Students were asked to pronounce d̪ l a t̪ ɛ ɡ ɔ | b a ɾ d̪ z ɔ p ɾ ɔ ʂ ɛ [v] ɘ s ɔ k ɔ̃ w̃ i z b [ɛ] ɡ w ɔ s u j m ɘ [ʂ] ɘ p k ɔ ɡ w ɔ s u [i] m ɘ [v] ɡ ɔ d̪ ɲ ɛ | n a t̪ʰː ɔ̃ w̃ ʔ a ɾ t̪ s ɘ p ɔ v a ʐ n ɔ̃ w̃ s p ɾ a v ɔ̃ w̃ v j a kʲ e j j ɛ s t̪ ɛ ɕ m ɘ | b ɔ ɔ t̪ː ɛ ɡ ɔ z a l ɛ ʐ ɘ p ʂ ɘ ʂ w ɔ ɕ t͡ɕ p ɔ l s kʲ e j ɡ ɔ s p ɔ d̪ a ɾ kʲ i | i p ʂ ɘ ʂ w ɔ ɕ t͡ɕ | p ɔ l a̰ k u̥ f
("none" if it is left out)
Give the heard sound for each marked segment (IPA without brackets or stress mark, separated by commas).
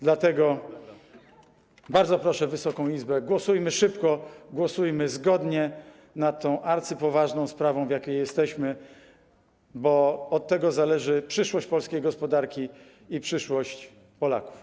v, ɛ, ʂ, j, z